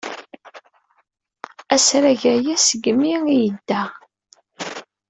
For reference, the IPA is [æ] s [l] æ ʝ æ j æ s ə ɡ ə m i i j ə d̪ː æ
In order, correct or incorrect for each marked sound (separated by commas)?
correct, incorrect